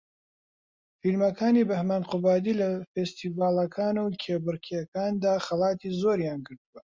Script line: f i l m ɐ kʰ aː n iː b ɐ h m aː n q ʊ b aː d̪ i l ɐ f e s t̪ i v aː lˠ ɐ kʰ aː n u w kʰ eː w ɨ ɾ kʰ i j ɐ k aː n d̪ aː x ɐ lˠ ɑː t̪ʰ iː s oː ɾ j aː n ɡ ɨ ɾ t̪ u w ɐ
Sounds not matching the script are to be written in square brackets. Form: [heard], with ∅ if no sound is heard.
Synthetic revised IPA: f i l m ɐ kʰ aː n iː b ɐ h m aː n q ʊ b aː d̪ i l ɐ f e s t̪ i v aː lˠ ɐ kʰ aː n u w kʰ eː [b] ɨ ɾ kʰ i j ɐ k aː n d̪ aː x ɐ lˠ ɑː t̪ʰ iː [z] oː ɾ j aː n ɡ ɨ ɾ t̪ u w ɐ